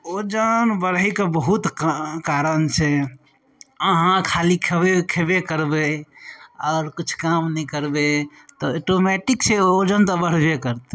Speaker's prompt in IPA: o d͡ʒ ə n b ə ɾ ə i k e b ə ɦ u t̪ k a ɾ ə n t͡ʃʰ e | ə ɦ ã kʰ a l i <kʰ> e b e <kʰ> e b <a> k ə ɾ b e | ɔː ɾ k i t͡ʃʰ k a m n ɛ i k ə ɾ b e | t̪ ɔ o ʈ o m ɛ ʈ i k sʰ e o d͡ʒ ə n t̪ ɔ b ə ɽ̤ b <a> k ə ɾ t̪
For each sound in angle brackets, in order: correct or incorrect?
correct, correct, incorrect: e, incorrect: e

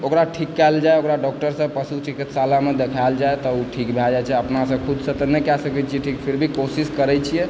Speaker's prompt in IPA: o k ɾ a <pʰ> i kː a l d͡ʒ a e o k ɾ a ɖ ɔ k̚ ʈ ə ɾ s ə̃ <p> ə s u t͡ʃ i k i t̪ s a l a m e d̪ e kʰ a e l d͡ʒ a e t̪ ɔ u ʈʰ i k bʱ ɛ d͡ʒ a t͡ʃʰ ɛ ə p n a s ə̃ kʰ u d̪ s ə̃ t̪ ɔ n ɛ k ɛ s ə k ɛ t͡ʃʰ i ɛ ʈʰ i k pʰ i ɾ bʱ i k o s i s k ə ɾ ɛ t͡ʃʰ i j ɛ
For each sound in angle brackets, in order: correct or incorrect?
incorrect: ʈʰ, correct

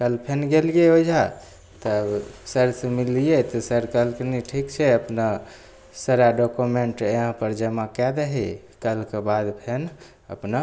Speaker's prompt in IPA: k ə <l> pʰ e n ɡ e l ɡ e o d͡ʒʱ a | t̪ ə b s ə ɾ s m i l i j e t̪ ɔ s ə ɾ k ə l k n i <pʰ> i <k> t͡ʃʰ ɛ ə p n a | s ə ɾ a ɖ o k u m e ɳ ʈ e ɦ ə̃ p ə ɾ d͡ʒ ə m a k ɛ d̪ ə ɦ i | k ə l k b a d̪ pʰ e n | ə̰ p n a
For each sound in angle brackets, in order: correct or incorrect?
correct, incorrect: ʈʰ, correct

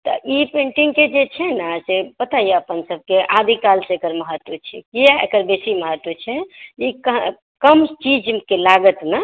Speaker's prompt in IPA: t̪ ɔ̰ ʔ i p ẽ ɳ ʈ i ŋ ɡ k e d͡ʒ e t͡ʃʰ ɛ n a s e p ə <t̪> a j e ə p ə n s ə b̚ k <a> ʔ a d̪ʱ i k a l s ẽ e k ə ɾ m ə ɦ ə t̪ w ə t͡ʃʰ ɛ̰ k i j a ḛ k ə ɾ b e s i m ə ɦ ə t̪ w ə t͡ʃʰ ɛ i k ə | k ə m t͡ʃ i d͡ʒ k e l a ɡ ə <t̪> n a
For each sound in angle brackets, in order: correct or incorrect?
correct, incorrect: e, correct

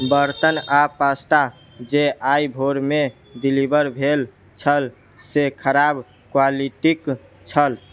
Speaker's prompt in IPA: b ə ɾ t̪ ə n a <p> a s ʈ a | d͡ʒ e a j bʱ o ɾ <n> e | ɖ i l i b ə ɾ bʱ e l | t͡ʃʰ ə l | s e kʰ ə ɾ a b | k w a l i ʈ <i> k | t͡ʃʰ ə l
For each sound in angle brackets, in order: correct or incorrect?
correct, incorrect: m, correct

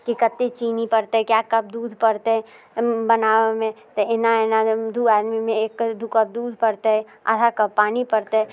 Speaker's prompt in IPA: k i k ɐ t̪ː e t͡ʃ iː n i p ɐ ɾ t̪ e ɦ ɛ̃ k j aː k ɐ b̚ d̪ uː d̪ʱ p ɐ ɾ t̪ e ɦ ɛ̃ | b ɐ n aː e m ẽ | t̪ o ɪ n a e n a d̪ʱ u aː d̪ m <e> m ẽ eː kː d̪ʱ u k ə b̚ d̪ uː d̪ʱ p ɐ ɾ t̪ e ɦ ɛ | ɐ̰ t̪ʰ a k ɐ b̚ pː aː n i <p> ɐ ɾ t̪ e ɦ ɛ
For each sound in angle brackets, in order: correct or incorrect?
incorrect: i, correct

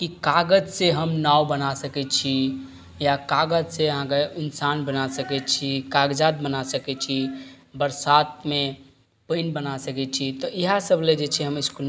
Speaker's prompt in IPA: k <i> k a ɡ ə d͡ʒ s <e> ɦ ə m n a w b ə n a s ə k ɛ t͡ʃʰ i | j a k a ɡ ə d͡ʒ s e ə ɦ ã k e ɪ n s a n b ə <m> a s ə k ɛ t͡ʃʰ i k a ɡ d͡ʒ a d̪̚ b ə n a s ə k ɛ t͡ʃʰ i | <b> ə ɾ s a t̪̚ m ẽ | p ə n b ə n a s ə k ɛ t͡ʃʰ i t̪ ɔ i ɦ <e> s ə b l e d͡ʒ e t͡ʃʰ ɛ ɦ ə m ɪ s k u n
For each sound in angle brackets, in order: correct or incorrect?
correct, correct, incorrect: n, correct, incorrect: a

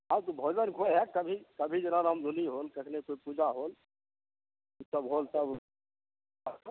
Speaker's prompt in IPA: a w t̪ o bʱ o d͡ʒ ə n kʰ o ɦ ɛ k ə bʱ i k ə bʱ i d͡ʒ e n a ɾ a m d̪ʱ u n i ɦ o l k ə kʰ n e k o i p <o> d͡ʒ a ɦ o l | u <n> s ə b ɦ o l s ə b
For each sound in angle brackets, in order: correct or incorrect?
incorrect: u, incorrect: none

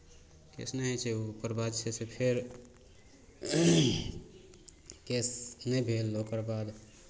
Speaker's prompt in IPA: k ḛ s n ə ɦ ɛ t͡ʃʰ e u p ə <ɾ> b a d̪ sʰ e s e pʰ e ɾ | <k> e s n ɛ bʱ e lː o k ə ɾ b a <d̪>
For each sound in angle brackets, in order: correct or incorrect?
correct, correct, correct

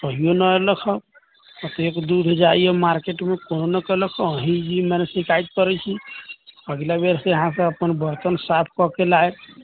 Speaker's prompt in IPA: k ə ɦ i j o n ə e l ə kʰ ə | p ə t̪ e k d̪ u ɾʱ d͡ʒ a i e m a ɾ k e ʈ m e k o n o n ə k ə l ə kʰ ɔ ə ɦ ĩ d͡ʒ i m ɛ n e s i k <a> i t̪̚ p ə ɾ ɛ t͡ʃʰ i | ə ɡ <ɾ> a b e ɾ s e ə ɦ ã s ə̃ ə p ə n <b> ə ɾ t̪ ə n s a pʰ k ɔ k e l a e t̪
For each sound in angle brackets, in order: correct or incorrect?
correct, incorrect: l, correct

